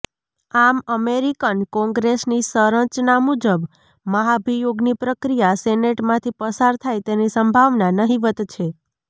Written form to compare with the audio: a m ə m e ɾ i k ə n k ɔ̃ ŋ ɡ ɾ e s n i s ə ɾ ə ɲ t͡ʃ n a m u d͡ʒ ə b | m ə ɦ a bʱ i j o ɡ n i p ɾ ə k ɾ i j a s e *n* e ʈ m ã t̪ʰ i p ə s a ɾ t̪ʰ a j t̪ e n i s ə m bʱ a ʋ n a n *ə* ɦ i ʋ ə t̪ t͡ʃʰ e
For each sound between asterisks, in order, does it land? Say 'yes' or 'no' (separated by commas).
yes, yes